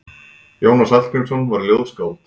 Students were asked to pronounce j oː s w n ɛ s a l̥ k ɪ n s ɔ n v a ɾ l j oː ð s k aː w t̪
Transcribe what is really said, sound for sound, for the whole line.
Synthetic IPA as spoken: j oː w n a s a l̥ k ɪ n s ɔ n v a ɾ l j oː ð s k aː w t̪